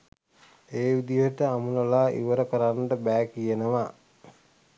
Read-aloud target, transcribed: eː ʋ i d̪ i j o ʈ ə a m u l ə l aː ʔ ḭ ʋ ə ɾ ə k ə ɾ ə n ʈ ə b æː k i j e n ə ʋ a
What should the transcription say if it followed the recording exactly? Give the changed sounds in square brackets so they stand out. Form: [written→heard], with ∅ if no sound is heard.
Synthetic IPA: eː ʋ i d̪ i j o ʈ ə a m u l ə l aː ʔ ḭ ʋ ə ɾ ə k ə ɾ [ə→a] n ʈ ə b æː k i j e n ə ʋ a